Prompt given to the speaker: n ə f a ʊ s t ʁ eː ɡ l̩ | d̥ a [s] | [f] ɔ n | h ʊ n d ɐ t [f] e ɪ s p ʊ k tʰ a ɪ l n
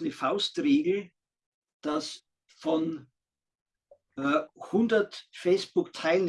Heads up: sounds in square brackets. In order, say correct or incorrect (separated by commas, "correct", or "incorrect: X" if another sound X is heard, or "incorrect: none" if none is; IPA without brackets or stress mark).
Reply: correct, correct, correct